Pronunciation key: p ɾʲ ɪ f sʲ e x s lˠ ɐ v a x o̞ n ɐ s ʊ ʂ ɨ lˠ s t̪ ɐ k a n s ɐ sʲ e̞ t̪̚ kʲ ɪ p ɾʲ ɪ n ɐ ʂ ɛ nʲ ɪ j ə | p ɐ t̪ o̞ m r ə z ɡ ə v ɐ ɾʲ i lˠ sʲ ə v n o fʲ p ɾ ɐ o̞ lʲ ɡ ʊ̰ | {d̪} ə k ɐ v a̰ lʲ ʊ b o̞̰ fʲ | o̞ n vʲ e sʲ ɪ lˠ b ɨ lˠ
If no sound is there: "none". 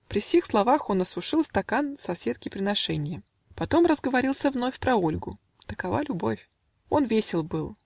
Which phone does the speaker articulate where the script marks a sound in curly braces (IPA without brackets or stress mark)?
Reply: t̪